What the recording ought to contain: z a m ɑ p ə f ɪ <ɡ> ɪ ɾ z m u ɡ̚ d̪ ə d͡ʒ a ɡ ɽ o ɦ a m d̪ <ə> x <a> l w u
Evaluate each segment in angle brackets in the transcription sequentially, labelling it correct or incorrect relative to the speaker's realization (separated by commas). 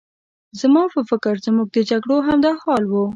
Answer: incorrect, incorrect, incorrect